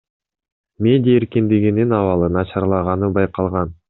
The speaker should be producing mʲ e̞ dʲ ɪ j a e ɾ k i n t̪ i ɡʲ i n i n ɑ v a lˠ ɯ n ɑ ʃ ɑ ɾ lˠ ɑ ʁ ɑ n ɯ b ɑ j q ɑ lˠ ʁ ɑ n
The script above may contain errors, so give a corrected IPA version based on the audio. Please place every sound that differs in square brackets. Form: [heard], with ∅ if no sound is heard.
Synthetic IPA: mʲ e̞ dʲ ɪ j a e ɾ k i n [d̪] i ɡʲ i n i n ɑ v [ɑ] lˠ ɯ n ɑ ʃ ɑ ɾ lˠ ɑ ʁ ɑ n ɯ b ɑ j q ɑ lˠ ʁ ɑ n